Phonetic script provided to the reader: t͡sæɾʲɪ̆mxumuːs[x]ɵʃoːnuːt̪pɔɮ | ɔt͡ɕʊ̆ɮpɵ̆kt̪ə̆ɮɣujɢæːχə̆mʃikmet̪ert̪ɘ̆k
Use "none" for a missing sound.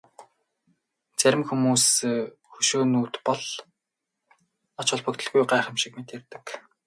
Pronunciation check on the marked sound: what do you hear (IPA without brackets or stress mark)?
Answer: x